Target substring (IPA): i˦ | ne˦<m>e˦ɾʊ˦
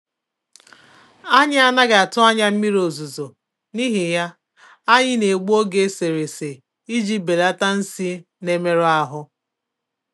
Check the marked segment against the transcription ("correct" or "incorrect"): correct